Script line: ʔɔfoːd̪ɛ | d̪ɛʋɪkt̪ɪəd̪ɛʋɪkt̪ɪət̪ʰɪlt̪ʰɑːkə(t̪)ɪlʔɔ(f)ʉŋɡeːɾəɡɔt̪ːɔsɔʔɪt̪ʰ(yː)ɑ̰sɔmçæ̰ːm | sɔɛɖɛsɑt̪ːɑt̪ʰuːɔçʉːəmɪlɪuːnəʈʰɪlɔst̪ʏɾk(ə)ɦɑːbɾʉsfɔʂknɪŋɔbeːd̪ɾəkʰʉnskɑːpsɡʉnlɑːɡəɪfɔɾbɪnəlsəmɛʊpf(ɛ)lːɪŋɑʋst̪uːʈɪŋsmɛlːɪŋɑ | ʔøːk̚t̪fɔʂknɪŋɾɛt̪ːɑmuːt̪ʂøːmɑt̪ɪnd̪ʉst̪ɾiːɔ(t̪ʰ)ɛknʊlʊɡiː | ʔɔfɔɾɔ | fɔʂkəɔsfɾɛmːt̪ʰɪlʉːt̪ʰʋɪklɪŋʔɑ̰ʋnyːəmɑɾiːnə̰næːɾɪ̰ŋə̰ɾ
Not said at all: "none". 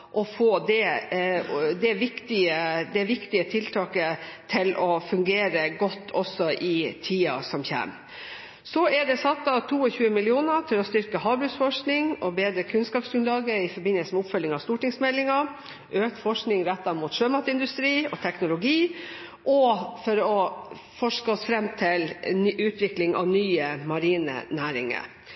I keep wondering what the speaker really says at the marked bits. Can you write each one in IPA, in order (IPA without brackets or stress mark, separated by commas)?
t̪ʰ, f, iː, ə, œ, t̪ʰ